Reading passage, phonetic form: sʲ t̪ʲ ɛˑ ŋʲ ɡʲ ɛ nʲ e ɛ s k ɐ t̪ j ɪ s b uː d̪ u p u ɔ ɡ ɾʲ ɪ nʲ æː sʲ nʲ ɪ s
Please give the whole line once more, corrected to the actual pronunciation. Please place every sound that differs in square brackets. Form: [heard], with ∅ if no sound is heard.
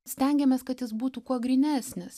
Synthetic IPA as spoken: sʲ t̪ʲ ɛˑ ŋʲ ɡʲ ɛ [mʲ] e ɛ s k ɐ t̪ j ɪ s b uː [t̪] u [k] u ɔ ɡ ɾʲ ɪ nʲ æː sʲ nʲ ɪ s